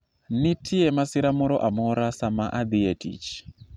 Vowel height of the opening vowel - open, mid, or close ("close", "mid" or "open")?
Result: close